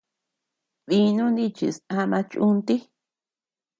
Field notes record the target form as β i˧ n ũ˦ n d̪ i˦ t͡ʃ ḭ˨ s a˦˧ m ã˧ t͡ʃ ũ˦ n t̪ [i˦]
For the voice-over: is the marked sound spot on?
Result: yes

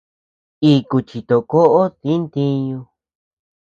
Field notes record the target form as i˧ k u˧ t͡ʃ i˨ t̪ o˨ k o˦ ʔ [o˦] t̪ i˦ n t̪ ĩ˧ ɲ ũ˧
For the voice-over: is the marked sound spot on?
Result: yes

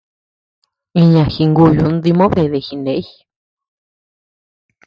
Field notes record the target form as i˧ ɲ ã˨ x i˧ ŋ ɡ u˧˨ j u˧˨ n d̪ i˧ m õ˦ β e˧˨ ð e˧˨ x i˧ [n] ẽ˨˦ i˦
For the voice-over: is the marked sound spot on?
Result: yes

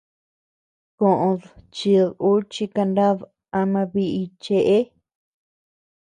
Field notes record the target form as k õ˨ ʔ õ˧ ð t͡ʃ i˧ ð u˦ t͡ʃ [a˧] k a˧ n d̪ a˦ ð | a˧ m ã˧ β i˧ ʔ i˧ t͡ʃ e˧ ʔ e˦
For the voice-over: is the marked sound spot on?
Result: no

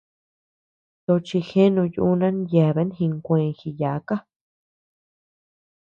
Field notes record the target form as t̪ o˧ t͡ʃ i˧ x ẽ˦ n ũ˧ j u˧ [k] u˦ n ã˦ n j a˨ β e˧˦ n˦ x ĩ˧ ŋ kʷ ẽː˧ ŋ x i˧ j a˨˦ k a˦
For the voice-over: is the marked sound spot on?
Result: no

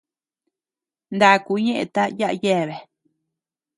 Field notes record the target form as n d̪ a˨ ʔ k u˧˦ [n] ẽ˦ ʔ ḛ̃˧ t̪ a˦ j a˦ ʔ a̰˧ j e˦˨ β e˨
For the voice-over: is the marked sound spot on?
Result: no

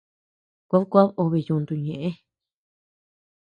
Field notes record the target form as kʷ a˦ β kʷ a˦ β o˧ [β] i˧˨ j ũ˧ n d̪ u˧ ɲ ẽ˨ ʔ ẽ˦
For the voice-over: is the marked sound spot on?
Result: yes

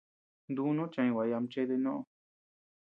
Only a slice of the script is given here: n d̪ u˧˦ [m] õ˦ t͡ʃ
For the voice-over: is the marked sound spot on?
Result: no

